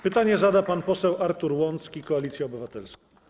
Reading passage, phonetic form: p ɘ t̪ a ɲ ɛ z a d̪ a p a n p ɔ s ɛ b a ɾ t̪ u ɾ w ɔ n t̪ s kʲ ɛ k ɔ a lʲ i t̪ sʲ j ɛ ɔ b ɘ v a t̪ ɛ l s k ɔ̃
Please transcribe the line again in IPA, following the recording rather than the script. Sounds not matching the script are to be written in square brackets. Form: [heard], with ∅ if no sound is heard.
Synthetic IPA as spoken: p ɘ t̪ a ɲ ɛ z a d̪ a p a n p ɔ s ɛ [w] a ɾ t̪ u ɾ w ɔ n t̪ s kʲ [i] k ɔ a lʲ i t̪ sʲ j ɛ ɔ b ɘ v a t̪ ɛ l s k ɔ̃

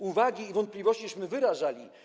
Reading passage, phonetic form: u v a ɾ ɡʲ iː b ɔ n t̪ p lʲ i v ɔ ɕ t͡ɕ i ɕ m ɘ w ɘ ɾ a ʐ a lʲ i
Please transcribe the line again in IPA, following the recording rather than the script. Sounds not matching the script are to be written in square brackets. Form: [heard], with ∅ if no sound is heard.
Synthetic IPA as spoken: u v a [∅] ɡʲ iː [v] ɔ n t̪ p lʲ i v ɔ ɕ t͡ɕ i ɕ m ɘ [v] ɘ ɾ a ʐ a lʲ i

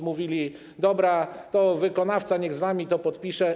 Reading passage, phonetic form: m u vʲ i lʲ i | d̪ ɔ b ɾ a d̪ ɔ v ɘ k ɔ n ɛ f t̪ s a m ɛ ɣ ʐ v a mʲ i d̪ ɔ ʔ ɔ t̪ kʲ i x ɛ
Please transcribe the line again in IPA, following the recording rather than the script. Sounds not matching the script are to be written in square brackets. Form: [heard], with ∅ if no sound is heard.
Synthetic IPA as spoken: m u vʲ i lʲ i | d̪ ɔ b ɾ a [t̪] ɔ v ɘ k ɔ n [a] f t̪ s a [ɲ] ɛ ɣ [z] v a mʲ i [t̪] ɔ [p] ɔ t̪ [pʲ] i [ʂ] ɛ

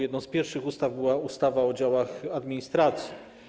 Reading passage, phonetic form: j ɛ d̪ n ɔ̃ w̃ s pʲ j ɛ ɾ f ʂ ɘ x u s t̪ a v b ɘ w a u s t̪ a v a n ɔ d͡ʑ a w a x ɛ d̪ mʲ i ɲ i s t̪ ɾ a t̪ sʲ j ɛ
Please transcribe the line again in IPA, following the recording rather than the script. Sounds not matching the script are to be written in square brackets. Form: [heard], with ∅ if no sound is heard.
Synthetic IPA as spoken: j ɛ d̪ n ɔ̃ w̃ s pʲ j ɛ ɾ f ʂ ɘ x u s t̪ a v b ɘ w a u s t̪ a v a [∅] ɔ d͡ʑ a w a x [a] d̪ mʲ i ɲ i s t̪ ɾ a t̪ sʲ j [i]

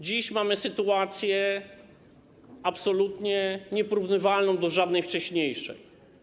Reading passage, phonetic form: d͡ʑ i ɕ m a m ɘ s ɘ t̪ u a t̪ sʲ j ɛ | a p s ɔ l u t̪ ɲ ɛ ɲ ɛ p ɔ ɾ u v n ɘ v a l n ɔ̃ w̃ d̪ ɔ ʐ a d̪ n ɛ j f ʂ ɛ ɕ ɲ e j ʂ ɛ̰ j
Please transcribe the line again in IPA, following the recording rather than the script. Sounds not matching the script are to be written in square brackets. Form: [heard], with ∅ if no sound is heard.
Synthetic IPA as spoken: d͡ʑ i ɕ m a m ɘ s ɘ t̪ u a t̪ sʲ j ɛ | a p s ɔ l u t̪ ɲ ɛ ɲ ɛ p ɔ ɾ u v n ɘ v a l n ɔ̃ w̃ d̪ ɔ ʐ a d̪ n ɛ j f [t͡ʂ] ɛ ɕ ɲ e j ʂ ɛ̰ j

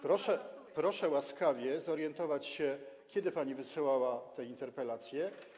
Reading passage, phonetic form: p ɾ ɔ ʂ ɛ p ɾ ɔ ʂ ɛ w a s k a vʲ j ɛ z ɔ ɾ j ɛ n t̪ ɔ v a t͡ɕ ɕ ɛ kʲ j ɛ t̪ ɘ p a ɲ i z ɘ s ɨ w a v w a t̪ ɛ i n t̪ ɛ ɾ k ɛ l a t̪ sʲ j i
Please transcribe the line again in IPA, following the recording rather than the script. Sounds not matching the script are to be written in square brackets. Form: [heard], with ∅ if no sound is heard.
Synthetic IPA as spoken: p ɾ ɔ ʂ ɛ p ɾ ɔ ʂ ɛ w a s k a vʲ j ɛ z ɔ ɾ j ɛ n t̪ ɔ v a t͡ɕ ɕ ɛ kʲ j ɛ [d̪] ɘ p a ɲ i [v] ɘ s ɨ w a [∅] w a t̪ ɛ i n t̪ ɛ ɾ [p] ɛ l a t̪ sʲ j [ɛ]

